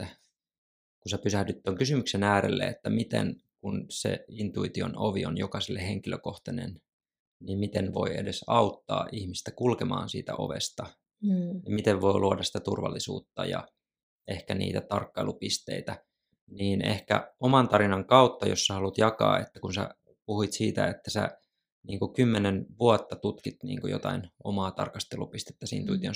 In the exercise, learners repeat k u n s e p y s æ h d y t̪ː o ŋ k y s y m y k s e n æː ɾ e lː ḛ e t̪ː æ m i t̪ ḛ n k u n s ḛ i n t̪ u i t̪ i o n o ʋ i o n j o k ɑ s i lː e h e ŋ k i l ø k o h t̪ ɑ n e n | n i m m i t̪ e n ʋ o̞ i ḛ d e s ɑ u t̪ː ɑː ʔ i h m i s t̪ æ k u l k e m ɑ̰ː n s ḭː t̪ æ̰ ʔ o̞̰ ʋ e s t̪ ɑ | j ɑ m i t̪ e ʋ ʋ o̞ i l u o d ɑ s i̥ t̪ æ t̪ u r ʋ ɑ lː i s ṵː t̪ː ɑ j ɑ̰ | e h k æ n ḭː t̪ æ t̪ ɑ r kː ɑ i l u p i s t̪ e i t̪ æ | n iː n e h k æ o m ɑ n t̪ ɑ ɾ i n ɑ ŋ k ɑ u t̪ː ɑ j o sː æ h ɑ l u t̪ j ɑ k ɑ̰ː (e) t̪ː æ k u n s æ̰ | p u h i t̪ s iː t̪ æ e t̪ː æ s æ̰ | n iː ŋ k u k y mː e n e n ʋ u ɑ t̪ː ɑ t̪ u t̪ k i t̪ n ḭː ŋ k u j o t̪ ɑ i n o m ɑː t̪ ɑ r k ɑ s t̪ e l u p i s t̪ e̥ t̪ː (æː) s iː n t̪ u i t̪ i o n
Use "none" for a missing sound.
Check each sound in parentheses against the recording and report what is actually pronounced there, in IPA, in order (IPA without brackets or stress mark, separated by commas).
e, æ